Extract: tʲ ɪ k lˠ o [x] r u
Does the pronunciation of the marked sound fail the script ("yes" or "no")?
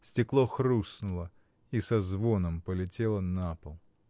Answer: no